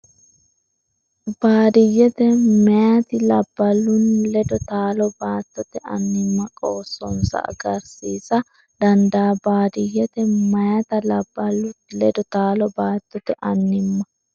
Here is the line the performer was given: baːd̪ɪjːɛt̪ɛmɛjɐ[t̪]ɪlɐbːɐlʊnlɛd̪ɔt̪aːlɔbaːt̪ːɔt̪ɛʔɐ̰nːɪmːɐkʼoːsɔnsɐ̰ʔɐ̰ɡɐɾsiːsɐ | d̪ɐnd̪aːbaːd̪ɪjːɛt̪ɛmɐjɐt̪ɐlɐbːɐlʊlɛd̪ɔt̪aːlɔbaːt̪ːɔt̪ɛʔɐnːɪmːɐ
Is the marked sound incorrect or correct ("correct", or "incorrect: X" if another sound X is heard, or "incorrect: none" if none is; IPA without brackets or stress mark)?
correct